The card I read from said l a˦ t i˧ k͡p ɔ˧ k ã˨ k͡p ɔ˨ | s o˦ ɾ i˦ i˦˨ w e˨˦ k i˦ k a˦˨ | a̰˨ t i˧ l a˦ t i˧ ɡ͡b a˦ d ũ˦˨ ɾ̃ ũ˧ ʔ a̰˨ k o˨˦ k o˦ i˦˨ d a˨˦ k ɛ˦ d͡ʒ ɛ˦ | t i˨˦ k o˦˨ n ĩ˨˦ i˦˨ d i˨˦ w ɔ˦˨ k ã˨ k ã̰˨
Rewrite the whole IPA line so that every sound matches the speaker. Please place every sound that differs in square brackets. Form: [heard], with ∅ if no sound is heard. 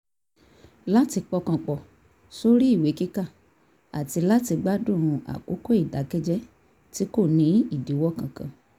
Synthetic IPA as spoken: l a˦ t i˧ k͡p ɔ˧ k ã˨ k͡p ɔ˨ | s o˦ ɾ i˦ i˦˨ w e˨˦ k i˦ k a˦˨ | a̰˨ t i˧ l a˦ t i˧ ɡ͡b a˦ d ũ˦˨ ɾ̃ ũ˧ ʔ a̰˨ k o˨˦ k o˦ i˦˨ d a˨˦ k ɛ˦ d͡ʒ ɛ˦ | t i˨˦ k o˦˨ n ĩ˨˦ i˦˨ d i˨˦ w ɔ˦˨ k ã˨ k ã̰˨